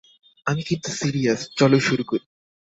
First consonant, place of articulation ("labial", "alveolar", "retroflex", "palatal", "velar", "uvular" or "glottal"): labial